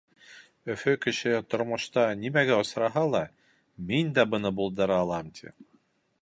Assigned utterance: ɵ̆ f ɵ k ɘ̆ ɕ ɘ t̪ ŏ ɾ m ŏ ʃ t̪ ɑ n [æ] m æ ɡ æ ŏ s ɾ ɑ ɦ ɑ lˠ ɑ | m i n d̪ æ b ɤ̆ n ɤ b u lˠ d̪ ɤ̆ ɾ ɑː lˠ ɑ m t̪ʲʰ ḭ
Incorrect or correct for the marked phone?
incorrect: i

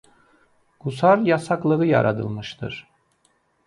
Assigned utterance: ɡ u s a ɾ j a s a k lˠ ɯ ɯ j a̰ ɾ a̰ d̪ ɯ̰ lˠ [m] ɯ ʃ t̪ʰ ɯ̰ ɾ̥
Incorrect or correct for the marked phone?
correct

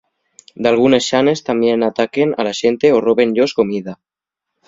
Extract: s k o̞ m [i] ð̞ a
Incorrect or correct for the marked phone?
correct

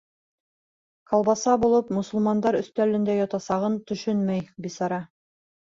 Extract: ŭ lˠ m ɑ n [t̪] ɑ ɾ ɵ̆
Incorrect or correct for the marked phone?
incorrect: d̪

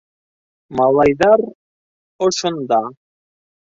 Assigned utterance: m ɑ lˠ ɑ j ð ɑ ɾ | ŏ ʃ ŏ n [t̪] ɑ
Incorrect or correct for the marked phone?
incorrect: d̪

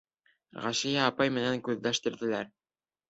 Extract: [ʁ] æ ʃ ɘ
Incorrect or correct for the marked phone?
correct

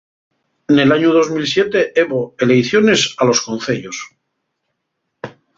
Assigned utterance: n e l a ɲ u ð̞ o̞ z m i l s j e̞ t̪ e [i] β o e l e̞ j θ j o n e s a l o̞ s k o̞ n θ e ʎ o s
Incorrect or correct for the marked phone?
incorrect: e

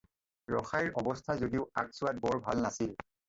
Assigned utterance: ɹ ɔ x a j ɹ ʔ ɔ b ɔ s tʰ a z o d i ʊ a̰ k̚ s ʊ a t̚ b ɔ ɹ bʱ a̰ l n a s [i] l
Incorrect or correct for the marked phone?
correct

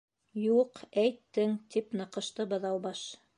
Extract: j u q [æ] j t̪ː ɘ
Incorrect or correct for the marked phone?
correct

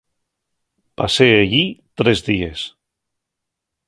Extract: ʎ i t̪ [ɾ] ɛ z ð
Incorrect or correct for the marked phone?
correct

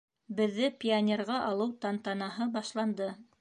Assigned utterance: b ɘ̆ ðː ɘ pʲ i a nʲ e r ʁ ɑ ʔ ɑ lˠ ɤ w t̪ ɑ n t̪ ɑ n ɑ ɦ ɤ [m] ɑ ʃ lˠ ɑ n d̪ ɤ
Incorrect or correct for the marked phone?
incorrect: b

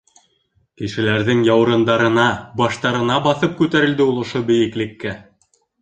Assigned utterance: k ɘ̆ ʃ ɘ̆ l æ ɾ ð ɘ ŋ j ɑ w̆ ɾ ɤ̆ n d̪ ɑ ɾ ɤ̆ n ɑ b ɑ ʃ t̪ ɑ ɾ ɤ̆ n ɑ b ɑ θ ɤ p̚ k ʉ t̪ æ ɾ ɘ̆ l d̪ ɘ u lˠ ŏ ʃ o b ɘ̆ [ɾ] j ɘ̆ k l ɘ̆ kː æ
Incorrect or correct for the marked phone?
incorrect: none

